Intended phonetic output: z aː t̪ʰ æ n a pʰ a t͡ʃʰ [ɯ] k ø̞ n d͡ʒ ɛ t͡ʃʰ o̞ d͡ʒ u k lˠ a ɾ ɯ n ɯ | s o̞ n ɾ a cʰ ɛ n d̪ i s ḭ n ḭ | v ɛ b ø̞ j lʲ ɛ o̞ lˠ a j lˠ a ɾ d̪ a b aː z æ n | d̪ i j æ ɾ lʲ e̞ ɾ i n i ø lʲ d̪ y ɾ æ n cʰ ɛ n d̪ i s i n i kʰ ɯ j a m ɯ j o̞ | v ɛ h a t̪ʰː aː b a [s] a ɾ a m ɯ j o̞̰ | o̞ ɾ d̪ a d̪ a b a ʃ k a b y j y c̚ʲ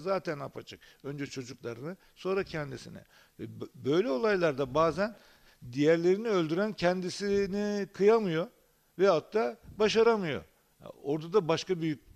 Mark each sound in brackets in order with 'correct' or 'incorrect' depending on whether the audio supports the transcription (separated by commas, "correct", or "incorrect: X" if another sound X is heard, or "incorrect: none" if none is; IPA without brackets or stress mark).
correct, incorrect: ʃ